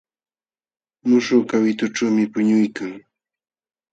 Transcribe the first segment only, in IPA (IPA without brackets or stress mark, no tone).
m